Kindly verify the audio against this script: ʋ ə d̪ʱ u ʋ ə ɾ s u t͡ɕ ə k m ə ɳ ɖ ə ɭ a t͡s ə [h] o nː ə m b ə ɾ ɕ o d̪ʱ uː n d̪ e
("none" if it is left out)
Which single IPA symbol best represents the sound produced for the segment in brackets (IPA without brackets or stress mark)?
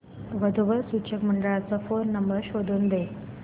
f